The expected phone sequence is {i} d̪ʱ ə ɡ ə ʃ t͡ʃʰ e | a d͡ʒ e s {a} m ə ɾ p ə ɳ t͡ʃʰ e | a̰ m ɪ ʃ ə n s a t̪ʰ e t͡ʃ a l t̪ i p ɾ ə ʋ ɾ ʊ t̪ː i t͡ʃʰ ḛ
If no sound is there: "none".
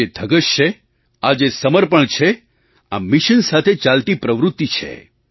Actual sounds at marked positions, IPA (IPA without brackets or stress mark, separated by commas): e, ə